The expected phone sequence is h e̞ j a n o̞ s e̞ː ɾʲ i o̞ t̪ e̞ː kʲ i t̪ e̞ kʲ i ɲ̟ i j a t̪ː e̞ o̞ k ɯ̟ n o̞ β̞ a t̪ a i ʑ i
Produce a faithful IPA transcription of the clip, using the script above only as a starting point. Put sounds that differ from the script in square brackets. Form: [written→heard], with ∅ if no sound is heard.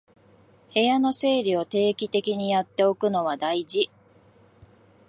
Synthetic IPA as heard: h e̞ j a n o̞ s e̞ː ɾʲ i o̞ t̪ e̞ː kʲ i t̪ e̞ kʲ i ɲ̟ i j a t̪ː e̞ o̞ k ɯ̟ n o̞ β̞ a [t̪→d̪] a i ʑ i